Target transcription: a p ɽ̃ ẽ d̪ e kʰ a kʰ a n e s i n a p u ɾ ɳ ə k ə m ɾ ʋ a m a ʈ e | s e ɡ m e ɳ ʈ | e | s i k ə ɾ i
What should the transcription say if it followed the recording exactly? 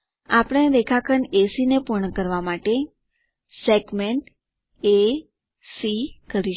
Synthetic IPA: a p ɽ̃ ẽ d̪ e kʰ a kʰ ə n e s i n e p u ɾ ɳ ə k ə ɾ ʋ a m a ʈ e | s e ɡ m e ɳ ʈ | e | s i k ə ɾ i